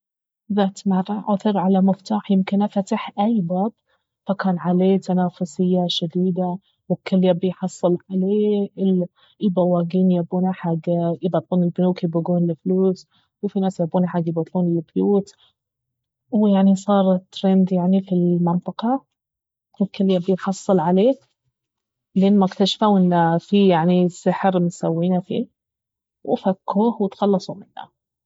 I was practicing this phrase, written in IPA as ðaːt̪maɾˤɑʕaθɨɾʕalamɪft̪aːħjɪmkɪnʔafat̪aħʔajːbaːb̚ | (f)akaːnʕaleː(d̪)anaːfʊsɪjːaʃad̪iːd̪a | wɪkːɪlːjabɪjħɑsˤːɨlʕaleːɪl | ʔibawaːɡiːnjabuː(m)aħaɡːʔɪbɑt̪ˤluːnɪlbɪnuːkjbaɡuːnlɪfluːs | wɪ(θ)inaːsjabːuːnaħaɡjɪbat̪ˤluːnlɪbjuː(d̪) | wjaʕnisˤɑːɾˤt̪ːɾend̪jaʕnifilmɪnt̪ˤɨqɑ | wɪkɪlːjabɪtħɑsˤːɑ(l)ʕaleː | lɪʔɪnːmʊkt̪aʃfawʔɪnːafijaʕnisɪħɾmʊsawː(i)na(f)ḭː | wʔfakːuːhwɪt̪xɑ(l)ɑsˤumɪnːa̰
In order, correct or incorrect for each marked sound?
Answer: correct, incorrect, incorrect, incorrect, incorrect, correct, incorrect, correct, incorrect

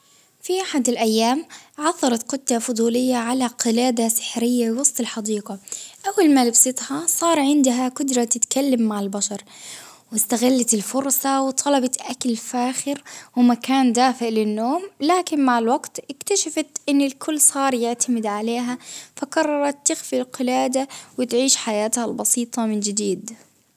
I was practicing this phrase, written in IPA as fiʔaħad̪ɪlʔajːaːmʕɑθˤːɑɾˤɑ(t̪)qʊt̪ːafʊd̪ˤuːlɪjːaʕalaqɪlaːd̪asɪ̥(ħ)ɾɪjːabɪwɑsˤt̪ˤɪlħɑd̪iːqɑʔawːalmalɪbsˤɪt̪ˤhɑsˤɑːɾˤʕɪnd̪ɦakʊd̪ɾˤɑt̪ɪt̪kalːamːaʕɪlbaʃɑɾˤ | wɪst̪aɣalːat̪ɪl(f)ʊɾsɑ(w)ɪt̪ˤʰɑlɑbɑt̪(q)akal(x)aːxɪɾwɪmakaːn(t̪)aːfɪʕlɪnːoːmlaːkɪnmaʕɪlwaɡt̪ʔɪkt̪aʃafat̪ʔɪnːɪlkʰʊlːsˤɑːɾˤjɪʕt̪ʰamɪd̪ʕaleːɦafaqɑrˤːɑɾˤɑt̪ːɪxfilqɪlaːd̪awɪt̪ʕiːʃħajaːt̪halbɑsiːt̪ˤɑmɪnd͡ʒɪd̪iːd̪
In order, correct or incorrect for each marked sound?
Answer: correct, correct, correct, correct, incorrect, incorrect, incorrect

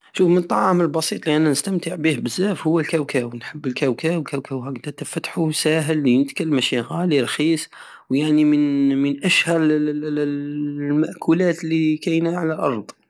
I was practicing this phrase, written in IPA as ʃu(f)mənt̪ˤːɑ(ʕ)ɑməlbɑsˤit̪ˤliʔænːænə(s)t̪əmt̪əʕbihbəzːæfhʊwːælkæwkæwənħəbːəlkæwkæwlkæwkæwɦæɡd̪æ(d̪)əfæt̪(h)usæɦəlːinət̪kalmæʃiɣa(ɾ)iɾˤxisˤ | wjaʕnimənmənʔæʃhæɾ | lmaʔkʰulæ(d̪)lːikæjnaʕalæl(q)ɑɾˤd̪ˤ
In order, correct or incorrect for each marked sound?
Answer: correct, correct, correct, incorrect, incorrect, incorrect, incorrect, incorrect

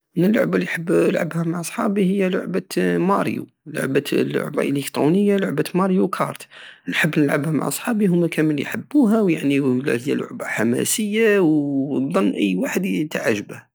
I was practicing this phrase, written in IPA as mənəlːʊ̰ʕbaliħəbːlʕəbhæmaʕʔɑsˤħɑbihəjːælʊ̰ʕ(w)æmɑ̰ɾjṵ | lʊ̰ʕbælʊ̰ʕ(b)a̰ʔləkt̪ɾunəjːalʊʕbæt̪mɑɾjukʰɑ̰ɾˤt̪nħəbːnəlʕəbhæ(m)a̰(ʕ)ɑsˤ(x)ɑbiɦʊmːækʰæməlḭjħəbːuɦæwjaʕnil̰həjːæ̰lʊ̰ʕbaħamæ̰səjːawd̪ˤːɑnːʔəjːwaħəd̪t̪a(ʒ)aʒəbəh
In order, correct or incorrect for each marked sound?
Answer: incorrect, correct, correct, correct, incorrect, incorrect

